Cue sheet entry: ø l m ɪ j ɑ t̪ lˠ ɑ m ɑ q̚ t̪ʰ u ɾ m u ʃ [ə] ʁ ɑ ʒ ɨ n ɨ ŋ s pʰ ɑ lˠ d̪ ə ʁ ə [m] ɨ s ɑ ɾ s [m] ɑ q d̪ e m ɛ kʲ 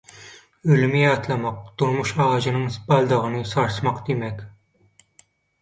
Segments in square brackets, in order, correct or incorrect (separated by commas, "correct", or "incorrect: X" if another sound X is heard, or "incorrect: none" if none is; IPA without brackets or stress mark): incorrect: ɑ, incorrect: n, correct